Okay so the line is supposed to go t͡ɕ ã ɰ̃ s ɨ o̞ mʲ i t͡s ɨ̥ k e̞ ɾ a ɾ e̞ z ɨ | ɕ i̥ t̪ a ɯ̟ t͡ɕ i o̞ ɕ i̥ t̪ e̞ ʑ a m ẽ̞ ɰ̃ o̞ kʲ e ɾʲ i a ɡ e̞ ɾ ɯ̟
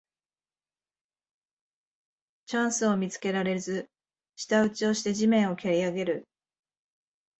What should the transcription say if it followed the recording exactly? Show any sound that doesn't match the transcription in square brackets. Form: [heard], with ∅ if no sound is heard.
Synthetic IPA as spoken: t͡ɕ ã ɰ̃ s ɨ o̞ mʲ i t͡s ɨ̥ k e̞ ɾ a ɾ e̞ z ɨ | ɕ i̥ t̪ a ɯ̟ t͡ɕ i o̞ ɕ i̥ t̪ e̞ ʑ [i] m ẽ̞ ɰ̃ o̞ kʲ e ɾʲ i a ɡ e̞ ɾ ɯ̟